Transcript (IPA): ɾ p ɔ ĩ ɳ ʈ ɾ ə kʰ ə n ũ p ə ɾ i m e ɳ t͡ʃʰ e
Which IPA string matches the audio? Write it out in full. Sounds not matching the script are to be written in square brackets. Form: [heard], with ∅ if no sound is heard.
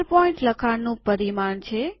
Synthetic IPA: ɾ p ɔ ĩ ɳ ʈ [l] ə kʰ [a] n ũ p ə ɾ i m [a] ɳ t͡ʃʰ e